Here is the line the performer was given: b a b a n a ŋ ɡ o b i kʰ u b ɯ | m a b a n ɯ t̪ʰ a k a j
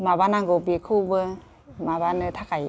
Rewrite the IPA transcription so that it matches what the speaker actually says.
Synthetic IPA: m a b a n a ŋ ɡ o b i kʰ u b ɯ | m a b a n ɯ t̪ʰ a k a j